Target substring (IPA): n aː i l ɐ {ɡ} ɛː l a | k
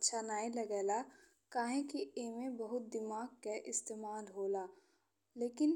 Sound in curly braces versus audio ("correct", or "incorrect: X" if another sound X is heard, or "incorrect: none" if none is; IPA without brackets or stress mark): correct